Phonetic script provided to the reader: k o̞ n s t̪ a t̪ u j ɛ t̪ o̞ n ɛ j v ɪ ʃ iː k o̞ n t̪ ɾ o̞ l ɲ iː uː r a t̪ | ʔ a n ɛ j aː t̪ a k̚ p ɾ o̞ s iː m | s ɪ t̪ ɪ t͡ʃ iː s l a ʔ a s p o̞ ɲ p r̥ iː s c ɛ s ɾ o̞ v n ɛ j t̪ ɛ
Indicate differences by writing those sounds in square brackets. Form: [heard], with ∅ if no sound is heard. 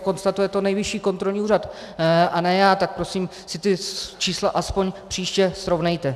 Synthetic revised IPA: k o̞ n s t̪ a t̪ u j ɛ t̪ o̞ n ɛ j v ɪ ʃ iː k o̞ n t̪ ɾ o̞ l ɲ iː uː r a t̪ | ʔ a n ɛ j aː t̪ a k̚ p ɾ o̞ s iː m | s ɪ t̪ ɪ t͡ʃ iː s l a ʔ a s p o̞ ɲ p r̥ iː [ʃ] c ɛ s ɾ o̞ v n ɛ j t̪ ɛ